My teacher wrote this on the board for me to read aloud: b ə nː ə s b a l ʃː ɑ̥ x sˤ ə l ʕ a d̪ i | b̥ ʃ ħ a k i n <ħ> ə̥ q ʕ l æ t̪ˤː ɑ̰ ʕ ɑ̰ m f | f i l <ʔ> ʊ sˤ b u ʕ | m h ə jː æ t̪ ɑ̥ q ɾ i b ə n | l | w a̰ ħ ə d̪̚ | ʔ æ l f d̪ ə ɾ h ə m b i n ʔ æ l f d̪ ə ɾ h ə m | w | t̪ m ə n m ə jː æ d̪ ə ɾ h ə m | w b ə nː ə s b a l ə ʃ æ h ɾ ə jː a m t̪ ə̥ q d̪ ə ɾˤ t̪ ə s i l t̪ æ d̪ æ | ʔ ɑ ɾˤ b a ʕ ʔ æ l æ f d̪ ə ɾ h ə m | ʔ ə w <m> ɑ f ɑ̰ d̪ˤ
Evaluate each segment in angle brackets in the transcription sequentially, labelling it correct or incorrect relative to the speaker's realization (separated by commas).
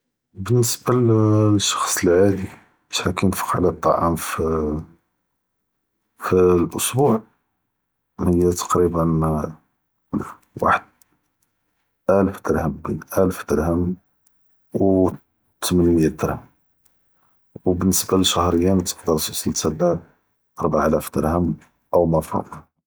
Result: incorrect, correct, correct